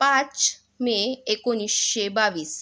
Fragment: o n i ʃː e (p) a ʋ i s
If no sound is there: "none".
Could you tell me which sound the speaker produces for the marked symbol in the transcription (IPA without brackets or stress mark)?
b